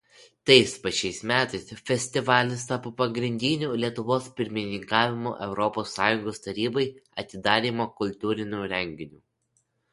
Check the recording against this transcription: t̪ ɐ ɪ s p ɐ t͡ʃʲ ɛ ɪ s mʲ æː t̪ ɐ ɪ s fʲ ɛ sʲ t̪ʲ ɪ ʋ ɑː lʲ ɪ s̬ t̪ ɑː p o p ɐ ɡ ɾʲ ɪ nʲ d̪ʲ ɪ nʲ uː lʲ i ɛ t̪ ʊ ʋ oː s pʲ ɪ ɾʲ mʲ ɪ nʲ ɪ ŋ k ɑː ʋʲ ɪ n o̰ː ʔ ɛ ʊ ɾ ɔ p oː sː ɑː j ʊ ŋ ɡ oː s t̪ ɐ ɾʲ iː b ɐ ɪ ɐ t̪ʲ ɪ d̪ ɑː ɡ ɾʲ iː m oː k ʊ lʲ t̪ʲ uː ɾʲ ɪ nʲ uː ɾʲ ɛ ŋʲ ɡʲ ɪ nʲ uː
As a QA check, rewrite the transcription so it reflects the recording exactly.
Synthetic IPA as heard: t̪ ɐ ɪ s p ɐ t͡ʃʲ ɛ ɪ s mʲ æː t̪ ɐ ɪ s fʲ ɛ sʲ t̪ʲ ɪ ʋ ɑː lʲ ɪ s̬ t̪ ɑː p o p ɐ ɡ ɾʲ ɪ nʲ d̪ʲ ɪ nʲ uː lʲ i ɛ t̪ ʊ ʋ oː s pʲ ɪ ɾʲ mʲ ɪ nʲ ɪ ŋ k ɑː ʋʲ ɪ m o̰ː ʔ ɛ ʊ ɾ ɔ p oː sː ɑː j ʊ ŋ ɡ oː s t̪ ɐ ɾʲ iː b ɐ ɪ ɐ t̪ʲ ɪ d̪ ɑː ɾʲ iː m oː k ʊ lʲ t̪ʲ uː ɾʲ ɪ nʲ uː ɾʲ ɛ ŋʲ ɡʲ ɪ nʲ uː